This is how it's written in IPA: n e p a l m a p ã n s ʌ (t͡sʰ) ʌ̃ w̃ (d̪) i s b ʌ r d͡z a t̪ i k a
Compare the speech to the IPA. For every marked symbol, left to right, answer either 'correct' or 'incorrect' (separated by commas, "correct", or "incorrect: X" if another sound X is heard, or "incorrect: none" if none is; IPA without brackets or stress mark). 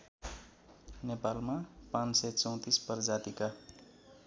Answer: incorrect: t͡s, incorrect: t̪